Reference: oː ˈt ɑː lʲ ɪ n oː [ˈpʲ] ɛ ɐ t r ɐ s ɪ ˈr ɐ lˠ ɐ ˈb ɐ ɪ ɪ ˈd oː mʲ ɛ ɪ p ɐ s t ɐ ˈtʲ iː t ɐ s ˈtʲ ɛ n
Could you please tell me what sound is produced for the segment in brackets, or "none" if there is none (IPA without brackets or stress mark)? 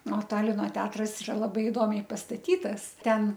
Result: tʲ